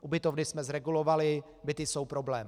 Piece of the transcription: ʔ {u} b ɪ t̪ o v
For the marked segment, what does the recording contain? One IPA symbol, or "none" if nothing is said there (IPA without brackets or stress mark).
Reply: u